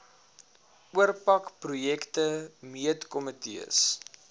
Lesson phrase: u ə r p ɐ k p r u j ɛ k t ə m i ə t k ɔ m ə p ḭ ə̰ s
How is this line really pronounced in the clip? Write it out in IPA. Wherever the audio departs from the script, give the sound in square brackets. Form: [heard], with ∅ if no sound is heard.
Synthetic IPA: u ə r p ɐ k p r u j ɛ k t ə m i ə t k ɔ m ə [t] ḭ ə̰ s